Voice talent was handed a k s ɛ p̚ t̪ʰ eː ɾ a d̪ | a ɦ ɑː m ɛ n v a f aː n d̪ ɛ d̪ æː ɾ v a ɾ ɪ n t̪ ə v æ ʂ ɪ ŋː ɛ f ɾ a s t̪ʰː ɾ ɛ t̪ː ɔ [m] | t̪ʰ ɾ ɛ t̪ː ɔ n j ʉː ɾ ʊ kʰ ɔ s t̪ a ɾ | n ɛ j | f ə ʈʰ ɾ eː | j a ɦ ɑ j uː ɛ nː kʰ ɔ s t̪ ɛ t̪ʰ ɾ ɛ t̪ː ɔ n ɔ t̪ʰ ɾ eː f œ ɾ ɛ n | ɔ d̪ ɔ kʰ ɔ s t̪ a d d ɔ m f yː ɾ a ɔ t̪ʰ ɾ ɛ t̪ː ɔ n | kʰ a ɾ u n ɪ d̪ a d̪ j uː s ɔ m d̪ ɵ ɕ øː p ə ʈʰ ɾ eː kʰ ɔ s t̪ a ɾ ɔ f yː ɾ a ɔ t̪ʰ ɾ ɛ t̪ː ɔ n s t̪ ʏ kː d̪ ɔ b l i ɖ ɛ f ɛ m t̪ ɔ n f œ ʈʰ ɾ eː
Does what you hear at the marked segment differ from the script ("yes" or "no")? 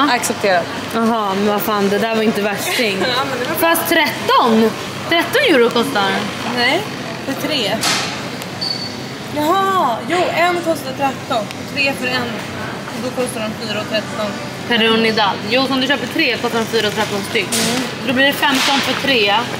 yes